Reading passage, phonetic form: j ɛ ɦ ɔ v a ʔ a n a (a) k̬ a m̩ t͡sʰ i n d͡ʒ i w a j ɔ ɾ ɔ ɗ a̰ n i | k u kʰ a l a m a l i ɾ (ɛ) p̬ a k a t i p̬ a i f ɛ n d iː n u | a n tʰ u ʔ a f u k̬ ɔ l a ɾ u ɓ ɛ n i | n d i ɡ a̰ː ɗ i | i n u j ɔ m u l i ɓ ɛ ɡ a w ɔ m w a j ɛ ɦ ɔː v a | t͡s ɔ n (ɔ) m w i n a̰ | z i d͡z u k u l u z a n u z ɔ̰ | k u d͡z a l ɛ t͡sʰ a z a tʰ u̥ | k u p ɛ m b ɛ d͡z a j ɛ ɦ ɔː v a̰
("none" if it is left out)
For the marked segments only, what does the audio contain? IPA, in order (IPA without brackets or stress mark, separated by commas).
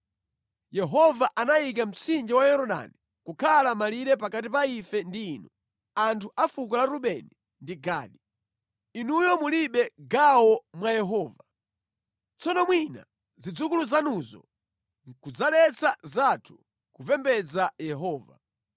i, ɛ, ɔ